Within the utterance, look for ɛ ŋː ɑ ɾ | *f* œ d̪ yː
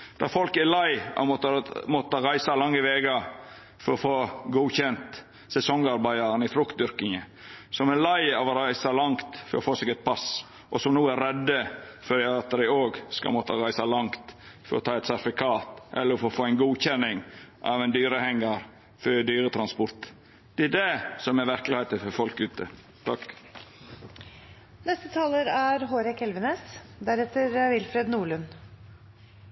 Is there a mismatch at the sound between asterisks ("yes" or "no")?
no